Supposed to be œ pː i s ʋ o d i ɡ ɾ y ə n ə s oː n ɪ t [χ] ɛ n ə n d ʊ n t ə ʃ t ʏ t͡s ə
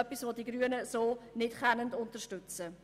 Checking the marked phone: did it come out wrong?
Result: no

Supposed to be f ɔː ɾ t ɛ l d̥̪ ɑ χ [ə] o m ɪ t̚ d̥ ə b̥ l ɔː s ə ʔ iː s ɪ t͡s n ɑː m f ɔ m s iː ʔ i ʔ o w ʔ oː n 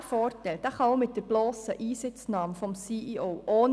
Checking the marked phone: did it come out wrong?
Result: yes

